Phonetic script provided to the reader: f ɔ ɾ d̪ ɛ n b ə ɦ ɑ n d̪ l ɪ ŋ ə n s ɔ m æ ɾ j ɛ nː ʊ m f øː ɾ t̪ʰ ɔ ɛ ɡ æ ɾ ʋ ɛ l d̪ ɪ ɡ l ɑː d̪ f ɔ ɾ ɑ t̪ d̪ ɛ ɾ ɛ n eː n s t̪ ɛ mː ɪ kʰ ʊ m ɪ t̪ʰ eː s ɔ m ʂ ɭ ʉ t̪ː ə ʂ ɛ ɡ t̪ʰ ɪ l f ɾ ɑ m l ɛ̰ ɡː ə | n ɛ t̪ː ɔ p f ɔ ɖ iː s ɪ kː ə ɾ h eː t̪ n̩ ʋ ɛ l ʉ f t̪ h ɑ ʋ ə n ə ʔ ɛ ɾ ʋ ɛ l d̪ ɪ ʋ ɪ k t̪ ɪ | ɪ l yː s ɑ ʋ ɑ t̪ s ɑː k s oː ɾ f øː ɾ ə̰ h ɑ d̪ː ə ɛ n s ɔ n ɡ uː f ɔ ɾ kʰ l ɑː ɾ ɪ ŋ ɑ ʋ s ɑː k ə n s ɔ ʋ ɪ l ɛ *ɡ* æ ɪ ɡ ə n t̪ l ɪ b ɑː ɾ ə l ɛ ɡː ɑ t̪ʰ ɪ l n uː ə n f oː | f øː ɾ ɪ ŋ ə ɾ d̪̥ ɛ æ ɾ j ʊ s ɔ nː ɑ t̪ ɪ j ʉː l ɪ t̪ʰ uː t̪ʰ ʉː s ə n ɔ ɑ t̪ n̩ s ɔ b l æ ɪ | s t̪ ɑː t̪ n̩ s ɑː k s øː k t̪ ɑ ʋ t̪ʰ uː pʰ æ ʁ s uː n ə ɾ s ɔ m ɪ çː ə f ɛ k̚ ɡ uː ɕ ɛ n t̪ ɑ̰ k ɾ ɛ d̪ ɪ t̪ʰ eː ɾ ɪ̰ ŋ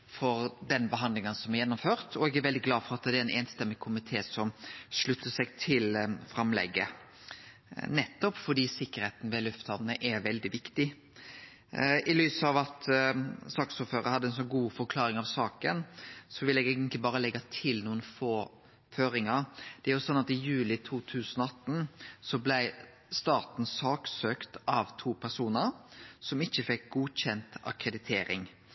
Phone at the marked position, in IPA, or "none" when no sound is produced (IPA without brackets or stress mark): ɡ